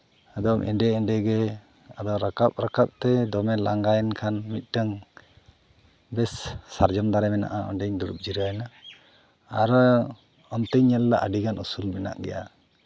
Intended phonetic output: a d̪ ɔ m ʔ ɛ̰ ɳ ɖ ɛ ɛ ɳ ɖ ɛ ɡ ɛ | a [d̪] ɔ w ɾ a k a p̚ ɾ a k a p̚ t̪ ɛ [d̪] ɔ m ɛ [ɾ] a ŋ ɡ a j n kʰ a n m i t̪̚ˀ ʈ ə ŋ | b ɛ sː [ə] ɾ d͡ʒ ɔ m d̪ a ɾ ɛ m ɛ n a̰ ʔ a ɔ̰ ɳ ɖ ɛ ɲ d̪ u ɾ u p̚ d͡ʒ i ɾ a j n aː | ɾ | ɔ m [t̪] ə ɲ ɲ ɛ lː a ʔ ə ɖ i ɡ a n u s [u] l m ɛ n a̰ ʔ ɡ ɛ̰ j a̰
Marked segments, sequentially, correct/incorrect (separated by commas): correct, correct, incorrect, incorrect, correct, correct